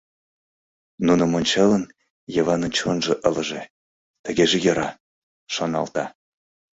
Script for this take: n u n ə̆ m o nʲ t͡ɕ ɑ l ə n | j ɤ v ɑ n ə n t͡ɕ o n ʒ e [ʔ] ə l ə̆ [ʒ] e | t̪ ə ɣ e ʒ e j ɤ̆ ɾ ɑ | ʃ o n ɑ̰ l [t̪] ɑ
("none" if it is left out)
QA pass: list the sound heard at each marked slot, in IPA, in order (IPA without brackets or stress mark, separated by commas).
ʔ, ʒ, t̪